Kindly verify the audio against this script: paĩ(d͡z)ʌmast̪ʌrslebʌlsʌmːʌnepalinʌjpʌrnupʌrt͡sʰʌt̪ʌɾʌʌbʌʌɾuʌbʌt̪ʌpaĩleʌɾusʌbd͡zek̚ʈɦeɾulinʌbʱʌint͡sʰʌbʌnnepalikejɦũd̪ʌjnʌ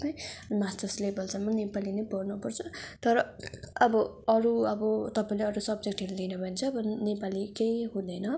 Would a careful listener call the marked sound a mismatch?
yes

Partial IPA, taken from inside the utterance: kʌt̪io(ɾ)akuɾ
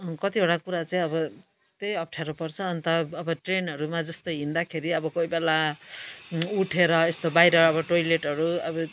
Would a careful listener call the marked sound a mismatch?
yes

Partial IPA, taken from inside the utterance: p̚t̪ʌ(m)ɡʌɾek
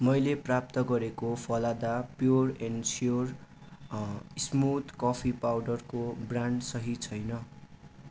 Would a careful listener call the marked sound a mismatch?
yes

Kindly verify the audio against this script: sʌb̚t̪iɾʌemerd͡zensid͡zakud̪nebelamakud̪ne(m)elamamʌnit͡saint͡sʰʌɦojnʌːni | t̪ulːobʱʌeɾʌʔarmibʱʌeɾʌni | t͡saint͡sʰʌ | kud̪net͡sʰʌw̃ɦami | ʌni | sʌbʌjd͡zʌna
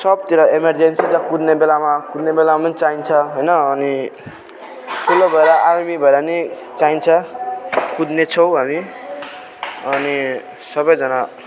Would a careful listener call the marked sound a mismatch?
yes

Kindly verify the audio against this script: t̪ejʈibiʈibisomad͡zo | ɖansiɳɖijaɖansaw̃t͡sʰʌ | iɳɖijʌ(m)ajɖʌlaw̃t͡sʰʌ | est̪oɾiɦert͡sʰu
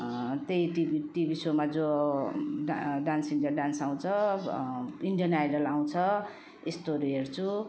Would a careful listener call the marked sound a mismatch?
yes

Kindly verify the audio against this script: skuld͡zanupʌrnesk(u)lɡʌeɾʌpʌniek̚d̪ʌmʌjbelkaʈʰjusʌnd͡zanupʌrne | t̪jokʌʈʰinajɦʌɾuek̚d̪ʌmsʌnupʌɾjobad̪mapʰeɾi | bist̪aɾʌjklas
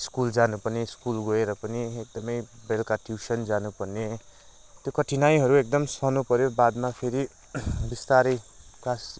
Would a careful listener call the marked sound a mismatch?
no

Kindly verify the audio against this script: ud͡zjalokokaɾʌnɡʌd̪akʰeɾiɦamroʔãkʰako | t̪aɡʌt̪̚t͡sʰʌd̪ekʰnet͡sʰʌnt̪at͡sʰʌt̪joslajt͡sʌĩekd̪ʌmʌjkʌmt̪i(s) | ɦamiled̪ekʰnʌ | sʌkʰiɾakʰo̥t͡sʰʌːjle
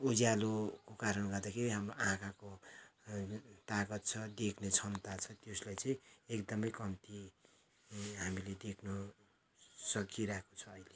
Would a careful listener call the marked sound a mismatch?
yes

